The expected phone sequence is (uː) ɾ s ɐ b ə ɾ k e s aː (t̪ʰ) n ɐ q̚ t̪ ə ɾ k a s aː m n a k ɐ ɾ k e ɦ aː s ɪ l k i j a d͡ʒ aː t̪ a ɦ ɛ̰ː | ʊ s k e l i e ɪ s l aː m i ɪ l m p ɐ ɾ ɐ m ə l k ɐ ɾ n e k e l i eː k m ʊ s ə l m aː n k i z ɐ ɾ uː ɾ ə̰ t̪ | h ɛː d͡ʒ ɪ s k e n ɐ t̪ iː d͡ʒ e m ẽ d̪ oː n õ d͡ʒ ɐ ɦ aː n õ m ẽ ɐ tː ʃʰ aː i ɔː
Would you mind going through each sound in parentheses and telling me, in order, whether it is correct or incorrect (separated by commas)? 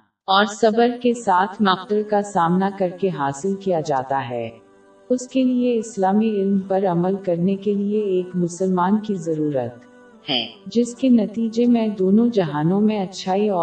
incorrect, correct